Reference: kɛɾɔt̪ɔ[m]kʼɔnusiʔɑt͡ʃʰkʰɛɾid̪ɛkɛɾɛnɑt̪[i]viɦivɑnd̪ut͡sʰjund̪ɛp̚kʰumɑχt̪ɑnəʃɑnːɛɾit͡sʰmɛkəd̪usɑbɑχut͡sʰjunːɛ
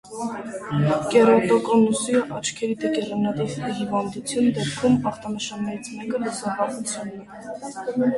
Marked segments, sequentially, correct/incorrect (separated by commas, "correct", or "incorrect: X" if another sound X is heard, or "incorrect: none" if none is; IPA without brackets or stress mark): incorrect: none, correct